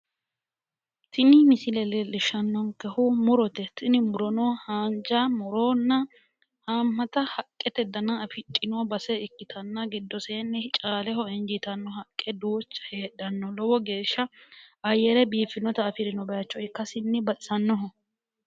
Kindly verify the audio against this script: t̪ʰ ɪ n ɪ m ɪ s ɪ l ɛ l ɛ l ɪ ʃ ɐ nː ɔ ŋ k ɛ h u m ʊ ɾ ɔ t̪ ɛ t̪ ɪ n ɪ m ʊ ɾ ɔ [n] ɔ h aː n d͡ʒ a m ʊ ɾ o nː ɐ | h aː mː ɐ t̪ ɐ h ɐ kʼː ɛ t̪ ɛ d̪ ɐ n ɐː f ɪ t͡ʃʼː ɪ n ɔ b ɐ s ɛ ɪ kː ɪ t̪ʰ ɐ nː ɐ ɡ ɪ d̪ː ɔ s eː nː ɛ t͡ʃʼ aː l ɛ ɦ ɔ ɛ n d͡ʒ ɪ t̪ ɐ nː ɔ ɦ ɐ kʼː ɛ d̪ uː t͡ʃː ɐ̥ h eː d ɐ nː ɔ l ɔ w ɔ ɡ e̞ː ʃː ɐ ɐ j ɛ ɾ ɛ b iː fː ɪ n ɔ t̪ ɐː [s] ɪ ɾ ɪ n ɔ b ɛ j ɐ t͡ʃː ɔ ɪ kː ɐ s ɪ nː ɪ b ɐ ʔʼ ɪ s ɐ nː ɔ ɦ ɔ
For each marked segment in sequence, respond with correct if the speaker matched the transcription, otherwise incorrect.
correct, incorrect: f

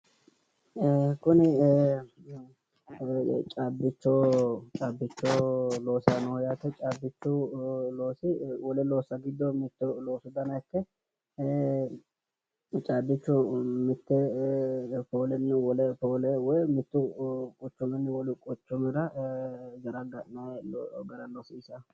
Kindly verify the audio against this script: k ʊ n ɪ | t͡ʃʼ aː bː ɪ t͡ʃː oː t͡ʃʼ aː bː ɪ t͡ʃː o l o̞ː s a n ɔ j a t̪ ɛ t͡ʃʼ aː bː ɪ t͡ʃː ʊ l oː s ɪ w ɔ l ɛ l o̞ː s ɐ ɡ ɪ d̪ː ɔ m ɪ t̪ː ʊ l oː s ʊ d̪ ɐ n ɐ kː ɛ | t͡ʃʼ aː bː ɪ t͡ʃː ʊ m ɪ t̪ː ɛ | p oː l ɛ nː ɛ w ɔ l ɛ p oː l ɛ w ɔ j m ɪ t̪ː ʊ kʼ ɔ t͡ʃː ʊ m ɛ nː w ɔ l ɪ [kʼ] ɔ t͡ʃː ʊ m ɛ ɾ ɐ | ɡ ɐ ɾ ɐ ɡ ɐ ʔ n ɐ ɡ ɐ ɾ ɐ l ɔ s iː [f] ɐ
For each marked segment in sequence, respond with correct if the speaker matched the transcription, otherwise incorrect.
correct, incorrect: s

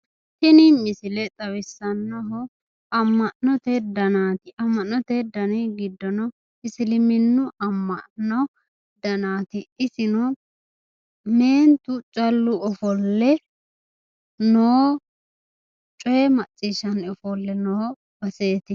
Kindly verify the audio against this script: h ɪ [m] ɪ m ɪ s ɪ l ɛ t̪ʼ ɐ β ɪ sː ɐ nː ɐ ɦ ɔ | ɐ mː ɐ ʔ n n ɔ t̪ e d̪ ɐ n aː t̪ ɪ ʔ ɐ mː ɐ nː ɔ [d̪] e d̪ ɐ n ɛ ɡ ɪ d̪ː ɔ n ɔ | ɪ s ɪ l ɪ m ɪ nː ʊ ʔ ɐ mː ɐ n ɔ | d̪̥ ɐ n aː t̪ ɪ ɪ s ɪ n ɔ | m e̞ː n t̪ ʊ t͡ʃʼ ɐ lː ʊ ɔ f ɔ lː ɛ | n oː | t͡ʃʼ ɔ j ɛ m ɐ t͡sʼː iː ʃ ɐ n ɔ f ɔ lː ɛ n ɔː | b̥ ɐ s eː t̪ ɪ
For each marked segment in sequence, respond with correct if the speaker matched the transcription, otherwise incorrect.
incorrect: n, incorrect: t̪

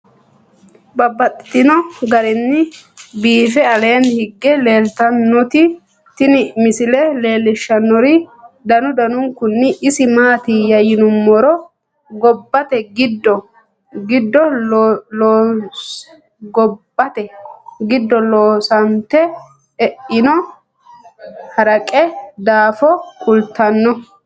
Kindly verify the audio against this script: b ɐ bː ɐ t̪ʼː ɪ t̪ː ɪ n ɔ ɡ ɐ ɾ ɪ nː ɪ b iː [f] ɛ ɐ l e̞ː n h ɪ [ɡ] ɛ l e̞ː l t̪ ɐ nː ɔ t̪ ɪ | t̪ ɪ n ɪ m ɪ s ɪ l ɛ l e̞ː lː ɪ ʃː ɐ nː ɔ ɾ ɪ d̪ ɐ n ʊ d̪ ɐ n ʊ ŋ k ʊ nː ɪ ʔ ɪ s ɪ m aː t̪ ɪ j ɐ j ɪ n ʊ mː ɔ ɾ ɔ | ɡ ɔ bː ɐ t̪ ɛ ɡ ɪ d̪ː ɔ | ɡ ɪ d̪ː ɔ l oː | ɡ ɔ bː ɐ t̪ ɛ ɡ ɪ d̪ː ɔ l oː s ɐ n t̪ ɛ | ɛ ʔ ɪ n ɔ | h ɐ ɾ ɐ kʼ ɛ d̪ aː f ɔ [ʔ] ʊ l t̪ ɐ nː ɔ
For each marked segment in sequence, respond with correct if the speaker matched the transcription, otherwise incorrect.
correct, incorrect: ɡː, incorrect: k

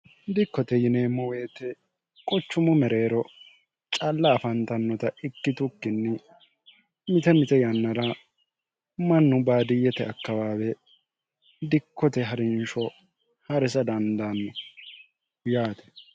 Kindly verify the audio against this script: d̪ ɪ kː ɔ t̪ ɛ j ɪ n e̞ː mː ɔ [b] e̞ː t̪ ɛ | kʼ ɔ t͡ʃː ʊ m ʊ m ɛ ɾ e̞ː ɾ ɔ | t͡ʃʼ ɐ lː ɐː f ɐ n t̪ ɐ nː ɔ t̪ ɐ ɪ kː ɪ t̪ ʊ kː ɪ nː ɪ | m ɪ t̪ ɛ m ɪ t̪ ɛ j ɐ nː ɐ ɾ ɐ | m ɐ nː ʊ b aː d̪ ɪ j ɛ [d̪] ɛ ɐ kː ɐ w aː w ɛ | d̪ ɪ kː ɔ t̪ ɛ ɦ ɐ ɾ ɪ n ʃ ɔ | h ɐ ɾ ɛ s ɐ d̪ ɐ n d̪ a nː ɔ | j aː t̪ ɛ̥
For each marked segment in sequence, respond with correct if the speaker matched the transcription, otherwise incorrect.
incorrect: w, incorrect: t̪

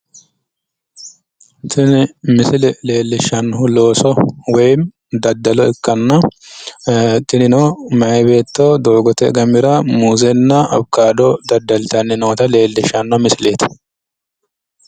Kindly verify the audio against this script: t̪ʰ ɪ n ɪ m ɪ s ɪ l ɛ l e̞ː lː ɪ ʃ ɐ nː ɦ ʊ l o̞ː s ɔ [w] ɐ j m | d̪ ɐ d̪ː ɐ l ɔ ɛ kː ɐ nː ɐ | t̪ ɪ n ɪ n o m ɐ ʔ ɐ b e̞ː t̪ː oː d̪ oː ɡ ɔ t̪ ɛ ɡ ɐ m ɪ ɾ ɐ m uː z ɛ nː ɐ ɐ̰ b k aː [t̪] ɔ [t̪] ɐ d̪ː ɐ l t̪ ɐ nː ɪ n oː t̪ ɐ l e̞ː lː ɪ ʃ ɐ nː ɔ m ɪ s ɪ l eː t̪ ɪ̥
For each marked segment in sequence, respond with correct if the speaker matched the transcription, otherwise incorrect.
correct, incorrect: d̪, incorrect: d̪

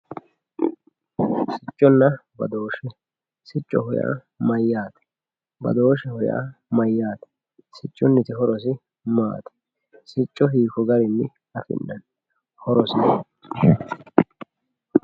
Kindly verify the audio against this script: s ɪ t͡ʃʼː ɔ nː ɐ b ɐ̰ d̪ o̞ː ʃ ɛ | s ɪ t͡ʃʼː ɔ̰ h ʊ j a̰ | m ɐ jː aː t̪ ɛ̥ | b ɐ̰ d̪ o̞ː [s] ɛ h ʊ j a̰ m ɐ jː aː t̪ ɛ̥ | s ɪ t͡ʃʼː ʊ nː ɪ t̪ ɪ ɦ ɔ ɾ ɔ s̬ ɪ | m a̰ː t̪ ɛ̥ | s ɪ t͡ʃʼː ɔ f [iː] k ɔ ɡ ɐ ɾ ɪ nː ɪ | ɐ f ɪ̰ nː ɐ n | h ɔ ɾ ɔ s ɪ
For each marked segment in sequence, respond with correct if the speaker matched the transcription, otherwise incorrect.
incorrect: ʃ, correct

